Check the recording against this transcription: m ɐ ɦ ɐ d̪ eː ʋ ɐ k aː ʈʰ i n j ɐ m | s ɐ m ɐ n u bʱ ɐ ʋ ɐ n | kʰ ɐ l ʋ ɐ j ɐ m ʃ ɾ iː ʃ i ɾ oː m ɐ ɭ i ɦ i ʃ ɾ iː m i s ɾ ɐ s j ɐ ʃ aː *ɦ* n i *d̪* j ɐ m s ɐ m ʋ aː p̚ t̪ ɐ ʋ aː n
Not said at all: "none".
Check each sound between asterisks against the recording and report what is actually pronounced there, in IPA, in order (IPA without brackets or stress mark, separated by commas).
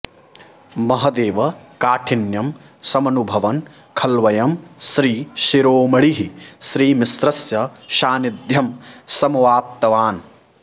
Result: none, d̪